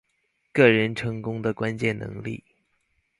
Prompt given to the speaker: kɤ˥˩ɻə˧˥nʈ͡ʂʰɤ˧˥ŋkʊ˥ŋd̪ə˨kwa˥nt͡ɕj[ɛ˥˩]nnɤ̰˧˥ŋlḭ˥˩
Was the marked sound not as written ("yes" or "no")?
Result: no